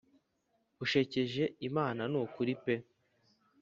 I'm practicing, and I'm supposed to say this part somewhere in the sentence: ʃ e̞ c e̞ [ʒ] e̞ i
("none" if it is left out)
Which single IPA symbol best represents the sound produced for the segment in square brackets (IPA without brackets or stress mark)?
ʒ